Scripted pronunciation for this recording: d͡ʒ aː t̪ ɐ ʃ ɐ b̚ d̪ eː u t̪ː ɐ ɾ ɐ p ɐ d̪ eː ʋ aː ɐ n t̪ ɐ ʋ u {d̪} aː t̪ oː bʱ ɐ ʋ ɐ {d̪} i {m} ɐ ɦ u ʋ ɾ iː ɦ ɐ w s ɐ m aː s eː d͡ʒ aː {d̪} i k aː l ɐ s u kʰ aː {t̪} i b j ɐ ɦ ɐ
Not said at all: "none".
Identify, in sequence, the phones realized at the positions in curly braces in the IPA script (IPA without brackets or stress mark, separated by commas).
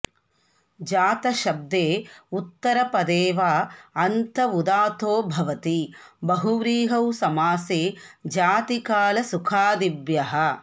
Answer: d̪, t̪, b, t̪, d̪